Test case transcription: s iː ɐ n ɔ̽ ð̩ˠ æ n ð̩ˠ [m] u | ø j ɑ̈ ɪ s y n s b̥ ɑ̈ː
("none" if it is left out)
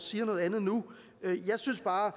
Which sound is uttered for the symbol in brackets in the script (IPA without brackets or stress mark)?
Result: n